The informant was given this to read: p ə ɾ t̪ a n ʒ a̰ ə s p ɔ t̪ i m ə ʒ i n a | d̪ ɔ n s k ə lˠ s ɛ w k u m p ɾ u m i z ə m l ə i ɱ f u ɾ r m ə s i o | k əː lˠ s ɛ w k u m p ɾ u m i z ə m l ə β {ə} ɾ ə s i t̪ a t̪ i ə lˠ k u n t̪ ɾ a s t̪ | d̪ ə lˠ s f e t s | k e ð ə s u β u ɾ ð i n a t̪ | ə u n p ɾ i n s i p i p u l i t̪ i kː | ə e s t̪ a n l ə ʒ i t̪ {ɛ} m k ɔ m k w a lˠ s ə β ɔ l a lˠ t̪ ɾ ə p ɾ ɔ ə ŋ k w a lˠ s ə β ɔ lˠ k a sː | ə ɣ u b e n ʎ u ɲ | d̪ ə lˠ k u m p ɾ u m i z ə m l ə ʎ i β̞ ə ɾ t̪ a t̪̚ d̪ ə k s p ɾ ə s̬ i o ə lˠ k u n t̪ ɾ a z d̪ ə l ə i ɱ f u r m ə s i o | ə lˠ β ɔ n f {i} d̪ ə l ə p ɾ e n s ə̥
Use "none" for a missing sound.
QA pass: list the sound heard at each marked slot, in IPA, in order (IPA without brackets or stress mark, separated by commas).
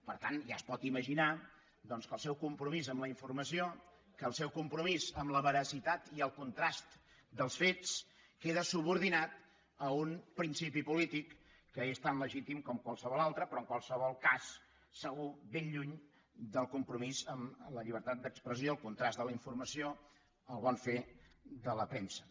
ə, i, e